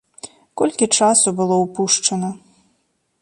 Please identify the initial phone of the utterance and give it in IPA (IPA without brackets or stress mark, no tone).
k